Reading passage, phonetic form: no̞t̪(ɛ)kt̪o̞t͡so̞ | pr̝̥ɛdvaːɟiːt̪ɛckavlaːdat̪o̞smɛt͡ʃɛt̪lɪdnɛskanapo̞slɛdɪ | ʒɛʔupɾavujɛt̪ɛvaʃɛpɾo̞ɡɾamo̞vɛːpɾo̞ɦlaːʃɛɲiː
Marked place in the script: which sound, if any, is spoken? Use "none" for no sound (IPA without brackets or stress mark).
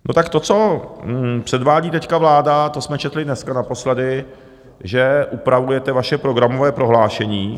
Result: a